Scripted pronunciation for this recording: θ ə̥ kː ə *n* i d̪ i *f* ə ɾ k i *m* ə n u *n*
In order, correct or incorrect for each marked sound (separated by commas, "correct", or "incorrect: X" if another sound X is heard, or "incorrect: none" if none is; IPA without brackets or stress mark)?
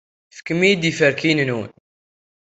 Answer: incorrect: m, correct, incorrect: n, correct